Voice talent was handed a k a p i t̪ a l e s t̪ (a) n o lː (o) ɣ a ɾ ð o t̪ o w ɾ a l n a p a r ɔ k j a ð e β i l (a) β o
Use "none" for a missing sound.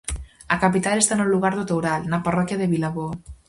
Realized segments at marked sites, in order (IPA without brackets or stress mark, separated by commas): a, u, a